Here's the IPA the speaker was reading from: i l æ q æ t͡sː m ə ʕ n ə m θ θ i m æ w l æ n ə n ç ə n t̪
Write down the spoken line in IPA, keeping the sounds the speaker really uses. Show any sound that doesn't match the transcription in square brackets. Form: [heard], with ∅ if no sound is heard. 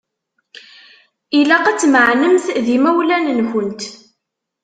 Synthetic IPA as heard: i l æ q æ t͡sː m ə ʕ n ə m θ [ð] i m æ w l æ n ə n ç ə n t̪